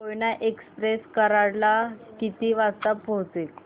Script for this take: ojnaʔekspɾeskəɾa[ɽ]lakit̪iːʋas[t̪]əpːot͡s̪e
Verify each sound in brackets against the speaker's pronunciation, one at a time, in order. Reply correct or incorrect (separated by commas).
correct, correct